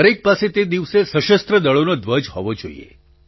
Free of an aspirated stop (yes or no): yes